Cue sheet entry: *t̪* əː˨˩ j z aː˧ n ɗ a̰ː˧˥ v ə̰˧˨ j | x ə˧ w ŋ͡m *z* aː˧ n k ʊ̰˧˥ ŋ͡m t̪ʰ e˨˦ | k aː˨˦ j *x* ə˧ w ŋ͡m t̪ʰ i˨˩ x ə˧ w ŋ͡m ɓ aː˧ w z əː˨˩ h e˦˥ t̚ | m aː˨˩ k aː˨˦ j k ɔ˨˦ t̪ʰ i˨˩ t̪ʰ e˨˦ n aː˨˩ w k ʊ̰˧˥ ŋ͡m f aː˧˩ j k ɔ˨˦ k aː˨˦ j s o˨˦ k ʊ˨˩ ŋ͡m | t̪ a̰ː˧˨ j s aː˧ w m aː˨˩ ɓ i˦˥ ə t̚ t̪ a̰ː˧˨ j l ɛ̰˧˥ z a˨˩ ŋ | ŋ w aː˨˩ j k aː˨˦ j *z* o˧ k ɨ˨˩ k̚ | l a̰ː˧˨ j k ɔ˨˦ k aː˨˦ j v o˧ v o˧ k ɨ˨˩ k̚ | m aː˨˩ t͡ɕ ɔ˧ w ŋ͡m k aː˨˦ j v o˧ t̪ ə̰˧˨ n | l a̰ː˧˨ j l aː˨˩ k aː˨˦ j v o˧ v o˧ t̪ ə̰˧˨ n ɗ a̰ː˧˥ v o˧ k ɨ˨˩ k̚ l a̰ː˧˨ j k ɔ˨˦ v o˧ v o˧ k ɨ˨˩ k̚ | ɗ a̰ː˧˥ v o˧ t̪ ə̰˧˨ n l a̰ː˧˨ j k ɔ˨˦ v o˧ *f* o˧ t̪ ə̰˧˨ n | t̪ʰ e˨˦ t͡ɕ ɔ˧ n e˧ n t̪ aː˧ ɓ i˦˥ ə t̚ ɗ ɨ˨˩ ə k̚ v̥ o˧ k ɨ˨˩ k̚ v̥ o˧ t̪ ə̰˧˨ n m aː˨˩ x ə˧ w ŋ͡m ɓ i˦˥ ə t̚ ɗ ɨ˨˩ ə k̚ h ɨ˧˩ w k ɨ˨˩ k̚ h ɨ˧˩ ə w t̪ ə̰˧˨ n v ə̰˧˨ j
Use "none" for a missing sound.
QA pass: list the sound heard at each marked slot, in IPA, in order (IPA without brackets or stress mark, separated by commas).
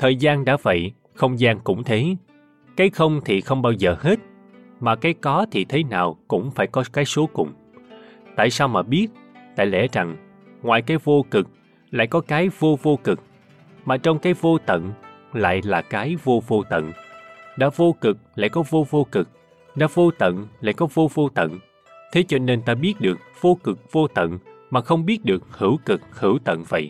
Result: t̪ʰ, z, x, v, v